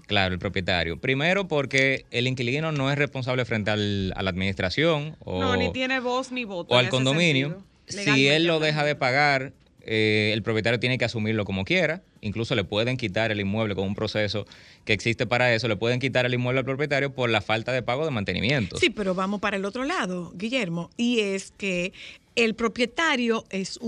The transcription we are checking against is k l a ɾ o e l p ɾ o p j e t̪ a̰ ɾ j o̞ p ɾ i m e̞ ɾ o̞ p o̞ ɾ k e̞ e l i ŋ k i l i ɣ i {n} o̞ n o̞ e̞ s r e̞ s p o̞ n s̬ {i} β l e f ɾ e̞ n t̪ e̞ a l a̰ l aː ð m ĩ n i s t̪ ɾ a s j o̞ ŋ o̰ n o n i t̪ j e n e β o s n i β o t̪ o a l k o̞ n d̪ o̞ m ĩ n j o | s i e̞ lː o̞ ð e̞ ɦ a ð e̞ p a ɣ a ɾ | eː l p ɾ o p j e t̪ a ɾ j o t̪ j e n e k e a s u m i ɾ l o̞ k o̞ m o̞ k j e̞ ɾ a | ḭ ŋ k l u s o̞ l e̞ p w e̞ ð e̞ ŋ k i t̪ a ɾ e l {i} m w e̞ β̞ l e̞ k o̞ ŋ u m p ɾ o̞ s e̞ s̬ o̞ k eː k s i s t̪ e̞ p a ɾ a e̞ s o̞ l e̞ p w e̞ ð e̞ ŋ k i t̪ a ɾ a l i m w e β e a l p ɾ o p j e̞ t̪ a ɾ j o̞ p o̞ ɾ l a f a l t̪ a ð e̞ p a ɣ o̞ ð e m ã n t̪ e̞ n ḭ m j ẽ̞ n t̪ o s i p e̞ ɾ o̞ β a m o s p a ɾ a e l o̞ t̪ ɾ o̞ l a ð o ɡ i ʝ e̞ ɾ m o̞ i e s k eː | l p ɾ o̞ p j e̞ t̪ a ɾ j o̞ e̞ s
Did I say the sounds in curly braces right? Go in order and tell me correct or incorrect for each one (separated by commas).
correct, incorrect, correct